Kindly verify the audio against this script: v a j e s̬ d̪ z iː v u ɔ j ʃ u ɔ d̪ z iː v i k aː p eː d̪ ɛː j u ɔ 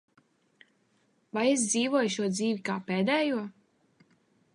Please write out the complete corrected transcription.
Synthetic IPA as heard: v a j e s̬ d̪ z iː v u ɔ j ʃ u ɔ d̪ z iː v i k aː p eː d̪ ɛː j u ɔ